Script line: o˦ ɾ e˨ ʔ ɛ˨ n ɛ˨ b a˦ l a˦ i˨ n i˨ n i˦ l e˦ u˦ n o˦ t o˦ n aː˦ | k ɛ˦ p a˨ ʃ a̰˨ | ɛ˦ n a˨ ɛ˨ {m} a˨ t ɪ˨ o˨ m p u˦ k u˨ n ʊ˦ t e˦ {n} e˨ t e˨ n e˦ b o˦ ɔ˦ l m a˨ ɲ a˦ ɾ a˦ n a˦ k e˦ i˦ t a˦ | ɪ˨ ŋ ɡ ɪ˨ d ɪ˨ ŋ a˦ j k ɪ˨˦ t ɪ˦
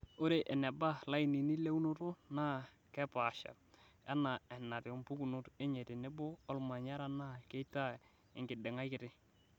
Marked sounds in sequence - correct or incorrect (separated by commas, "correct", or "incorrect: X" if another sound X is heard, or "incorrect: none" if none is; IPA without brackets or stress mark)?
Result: incorrect: n, incorrect: ɲ